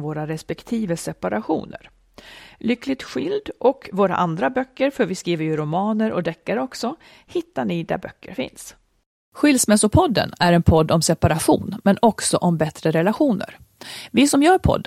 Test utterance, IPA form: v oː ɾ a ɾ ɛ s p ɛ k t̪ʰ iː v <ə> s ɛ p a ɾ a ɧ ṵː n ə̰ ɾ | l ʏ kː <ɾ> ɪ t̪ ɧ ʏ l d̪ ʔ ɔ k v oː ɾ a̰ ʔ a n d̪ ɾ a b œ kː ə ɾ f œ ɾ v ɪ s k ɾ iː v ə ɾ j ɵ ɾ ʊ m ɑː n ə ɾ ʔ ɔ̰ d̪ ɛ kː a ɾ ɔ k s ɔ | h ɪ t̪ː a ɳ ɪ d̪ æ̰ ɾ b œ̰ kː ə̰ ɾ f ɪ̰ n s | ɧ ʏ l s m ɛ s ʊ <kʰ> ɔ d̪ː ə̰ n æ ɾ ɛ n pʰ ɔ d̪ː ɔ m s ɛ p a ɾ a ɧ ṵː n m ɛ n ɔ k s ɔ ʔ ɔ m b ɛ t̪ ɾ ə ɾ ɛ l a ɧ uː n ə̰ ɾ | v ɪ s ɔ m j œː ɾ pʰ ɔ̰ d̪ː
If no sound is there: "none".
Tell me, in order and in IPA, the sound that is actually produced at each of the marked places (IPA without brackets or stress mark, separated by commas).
ə, l, pʰ